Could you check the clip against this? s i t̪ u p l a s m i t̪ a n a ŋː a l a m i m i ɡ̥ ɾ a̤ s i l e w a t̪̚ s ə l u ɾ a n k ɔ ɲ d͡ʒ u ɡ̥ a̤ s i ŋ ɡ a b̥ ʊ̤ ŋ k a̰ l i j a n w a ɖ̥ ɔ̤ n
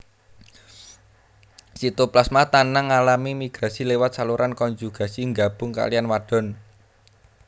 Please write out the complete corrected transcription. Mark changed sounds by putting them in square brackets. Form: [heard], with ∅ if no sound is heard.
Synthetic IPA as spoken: s i t̪ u p l a s m [a] t̪ a n a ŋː a l a m i m i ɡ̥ ɾ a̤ s i l e w a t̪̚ s [a] l u ɾ a n k ɔ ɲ d͡ʒ u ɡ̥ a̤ s i ŋ ɡ a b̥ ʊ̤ ŋ k a̰ l i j a n w a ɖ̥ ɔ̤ n

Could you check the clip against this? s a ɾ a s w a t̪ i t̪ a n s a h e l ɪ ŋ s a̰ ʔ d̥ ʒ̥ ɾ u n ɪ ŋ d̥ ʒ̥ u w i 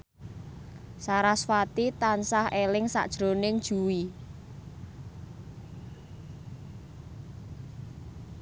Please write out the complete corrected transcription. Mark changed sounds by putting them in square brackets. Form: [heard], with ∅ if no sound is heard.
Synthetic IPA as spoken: s a ɾ a s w a t̪ i t̪ a n s a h e l ɪ ŋ s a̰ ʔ d̥ ʒ̥ ɾ [o] n ɪ ŋ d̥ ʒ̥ u w i

